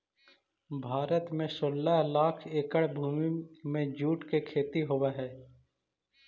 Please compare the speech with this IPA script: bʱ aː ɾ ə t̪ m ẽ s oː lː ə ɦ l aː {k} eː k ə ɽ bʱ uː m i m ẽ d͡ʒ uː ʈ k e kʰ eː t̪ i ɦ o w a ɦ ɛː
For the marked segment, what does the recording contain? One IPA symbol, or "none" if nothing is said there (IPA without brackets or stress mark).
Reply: kʰ